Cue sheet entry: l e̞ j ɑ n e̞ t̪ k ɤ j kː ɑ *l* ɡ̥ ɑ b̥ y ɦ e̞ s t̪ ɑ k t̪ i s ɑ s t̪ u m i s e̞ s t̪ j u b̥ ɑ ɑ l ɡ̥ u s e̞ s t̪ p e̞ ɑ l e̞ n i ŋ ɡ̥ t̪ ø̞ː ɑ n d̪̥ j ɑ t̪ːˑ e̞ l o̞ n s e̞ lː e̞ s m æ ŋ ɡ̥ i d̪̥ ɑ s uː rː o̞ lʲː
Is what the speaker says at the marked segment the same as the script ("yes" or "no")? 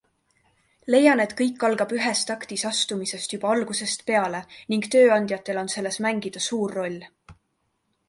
yes